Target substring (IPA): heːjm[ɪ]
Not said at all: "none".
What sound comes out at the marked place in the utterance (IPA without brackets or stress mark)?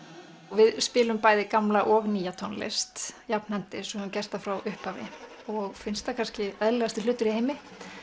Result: ɪ